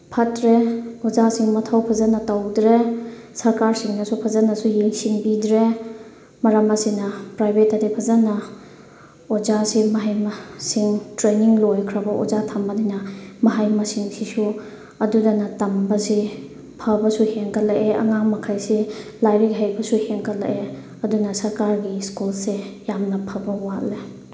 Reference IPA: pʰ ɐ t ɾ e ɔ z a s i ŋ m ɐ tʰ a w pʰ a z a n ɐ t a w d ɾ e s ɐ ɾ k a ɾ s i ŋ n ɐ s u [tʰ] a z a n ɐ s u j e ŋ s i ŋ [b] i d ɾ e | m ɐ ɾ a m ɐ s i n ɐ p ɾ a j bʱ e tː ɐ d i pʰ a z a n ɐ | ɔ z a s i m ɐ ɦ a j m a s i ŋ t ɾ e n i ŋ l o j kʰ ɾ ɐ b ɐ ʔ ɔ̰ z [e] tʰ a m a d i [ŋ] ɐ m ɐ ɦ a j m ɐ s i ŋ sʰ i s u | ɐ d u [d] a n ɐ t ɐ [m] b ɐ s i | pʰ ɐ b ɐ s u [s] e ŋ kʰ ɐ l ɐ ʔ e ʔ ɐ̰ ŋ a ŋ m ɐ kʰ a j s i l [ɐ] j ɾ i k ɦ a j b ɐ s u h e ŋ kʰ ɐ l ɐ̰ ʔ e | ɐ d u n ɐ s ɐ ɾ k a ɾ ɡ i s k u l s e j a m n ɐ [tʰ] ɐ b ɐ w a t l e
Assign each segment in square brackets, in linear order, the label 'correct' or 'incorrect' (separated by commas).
incorrect, correct, incorrect, incorrect, correct, correct, incorrect, incorrect, incorrect